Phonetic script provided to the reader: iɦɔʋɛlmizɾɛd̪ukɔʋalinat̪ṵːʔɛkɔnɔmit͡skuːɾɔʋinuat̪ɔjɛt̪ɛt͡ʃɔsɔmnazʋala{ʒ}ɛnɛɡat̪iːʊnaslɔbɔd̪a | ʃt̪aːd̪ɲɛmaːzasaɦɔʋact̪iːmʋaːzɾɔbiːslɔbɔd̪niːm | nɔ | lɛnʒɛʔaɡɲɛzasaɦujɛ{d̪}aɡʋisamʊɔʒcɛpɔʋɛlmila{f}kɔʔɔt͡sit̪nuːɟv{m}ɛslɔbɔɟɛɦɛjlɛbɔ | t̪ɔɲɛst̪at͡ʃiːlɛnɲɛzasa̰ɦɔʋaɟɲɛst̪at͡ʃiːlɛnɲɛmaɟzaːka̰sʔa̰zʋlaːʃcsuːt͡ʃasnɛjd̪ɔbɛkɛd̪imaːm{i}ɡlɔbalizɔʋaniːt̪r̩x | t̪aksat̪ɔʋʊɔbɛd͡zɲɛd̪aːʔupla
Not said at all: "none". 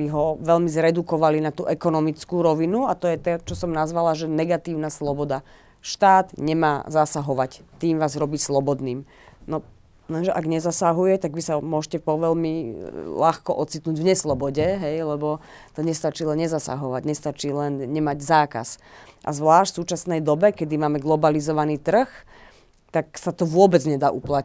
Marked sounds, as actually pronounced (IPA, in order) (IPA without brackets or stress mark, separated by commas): ʒ, t̪, x, ɲ, ɛ